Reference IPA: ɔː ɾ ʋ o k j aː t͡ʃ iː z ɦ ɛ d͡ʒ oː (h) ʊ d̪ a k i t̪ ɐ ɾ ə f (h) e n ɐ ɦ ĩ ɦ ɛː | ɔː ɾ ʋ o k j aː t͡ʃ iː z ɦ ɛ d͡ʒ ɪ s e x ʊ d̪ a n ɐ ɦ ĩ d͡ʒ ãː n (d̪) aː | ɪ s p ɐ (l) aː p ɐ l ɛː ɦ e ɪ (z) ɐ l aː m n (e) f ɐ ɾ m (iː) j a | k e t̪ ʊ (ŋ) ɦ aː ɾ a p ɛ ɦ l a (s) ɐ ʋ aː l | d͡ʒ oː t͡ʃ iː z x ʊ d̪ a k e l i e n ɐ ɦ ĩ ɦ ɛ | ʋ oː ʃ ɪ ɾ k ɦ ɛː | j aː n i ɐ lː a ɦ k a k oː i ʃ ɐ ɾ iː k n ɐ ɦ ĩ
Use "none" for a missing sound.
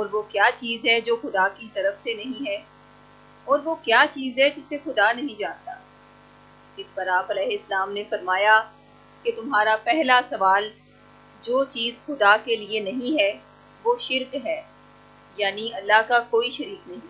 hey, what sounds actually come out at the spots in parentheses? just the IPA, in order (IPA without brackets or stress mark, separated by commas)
x, s, t̪, ɾ, s, e, aː, m, s